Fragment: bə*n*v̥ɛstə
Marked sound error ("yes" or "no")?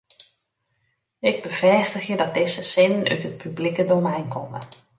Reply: yes